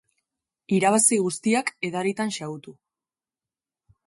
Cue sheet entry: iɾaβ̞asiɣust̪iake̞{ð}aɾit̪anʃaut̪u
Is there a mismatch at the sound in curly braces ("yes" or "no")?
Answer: no